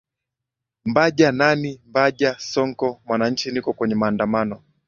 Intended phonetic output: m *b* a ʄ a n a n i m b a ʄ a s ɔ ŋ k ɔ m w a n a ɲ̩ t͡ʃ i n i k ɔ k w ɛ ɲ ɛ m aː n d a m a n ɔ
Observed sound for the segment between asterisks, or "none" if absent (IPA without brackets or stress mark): b